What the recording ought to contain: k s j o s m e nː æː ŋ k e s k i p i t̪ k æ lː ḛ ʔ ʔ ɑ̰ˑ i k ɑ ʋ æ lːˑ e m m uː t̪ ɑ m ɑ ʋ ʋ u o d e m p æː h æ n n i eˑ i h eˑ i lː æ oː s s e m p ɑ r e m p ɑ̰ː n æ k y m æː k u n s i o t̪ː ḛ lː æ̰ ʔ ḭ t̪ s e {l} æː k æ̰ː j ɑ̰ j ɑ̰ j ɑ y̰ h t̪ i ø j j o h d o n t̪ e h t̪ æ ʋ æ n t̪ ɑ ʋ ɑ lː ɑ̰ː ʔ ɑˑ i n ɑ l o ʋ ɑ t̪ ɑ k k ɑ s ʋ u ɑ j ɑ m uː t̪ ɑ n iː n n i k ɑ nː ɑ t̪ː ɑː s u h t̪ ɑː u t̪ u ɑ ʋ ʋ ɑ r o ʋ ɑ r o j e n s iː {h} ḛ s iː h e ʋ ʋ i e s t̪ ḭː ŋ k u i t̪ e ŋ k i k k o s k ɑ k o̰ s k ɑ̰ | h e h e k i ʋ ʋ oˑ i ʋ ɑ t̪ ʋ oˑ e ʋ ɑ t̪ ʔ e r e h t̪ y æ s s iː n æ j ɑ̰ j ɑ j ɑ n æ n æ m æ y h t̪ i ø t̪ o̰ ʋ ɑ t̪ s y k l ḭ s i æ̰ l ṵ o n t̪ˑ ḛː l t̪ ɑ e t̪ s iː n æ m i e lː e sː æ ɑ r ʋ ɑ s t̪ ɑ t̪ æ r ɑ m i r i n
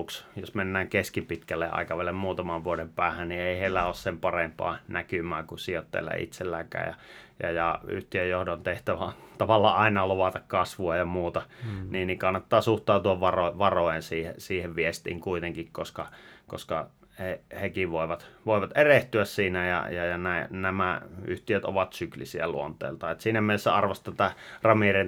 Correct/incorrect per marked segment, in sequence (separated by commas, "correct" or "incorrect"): incorrect, correct